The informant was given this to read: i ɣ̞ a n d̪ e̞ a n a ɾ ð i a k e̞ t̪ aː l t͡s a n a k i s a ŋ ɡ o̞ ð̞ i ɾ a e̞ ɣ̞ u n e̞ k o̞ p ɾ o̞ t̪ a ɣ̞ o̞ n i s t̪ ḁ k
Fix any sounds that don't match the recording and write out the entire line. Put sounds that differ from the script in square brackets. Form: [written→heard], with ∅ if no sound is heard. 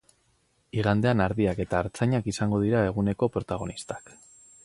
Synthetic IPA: i ɣ̞ a n d̪ e̞ a n a ɾ ð i a k e̞ t̪ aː [l→ɾ] t͡s a [n→ɲ] a k i s a ŋ ɡ o̞ ð̞ i ɾ a e̞ ɣ̞ u n e̞ k o̞ p ɾ o̞ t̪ a ɣ̞ o̞ n i s t̪ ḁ k